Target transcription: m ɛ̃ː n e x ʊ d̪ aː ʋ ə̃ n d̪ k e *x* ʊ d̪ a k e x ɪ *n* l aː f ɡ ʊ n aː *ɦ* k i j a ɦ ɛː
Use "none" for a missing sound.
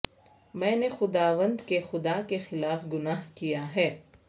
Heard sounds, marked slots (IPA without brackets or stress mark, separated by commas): x, none, ɦ